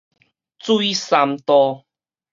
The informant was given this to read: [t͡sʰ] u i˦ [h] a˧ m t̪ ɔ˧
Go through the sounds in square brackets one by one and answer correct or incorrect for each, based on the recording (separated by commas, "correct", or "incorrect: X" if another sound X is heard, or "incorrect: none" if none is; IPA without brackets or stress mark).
incorrect: t͡s, incorrect: s